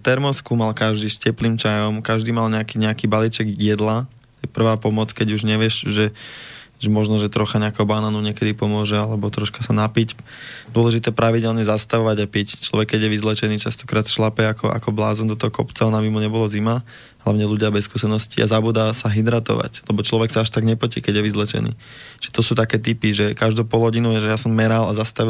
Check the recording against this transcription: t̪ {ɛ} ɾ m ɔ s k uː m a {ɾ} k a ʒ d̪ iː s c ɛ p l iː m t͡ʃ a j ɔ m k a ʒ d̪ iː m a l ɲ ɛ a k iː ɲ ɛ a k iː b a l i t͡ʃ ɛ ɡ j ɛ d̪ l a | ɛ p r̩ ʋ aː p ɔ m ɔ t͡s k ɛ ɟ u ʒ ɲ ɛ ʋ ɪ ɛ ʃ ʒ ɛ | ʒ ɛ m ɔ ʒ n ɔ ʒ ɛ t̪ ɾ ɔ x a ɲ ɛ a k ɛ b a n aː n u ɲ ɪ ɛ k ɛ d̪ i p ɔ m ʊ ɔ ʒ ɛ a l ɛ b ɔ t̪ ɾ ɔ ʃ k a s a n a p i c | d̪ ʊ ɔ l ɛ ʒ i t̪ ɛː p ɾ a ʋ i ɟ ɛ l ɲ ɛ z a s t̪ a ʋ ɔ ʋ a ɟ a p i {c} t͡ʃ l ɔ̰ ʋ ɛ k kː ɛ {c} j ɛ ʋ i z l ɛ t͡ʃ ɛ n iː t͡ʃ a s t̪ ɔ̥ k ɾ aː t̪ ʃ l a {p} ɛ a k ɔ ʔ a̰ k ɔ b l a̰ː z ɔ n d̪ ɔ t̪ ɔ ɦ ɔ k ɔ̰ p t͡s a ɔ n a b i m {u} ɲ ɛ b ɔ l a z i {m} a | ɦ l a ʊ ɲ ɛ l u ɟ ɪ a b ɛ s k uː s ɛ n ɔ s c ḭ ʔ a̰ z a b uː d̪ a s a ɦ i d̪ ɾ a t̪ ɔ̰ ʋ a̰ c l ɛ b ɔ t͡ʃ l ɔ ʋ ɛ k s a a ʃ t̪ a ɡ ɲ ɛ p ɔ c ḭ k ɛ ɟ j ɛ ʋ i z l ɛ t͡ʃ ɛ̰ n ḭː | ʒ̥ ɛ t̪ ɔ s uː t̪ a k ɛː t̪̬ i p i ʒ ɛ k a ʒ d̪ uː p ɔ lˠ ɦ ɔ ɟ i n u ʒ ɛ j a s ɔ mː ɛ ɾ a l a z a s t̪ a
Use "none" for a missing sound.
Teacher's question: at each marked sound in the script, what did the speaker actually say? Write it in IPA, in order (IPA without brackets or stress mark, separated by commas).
ɛ, l, c, ɟ, p, u, m